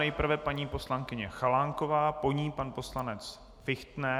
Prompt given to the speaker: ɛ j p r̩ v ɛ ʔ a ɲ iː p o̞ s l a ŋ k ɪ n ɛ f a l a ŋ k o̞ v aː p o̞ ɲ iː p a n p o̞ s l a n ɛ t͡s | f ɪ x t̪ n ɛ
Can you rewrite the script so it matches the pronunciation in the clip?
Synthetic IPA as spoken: ɛ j p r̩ v ɛ p a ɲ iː p o̞ s l a ŋ k ɪ ɲ ɛ x a l a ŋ k o̞ v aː p o̞ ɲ iː p a n p o̞ s l a n ɛ t͡s | f ɪ x t̪ n ɛ